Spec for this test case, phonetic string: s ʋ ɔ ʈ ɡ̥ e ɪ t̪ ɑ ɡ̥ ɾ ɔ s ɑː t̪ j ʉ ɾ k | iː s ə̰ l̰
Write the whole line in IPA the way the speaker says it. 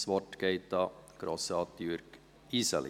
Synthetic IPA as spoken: s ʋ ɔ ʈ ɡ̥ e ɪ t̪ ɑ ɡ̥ ɾ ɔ s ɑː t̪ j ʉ ɾ k | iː s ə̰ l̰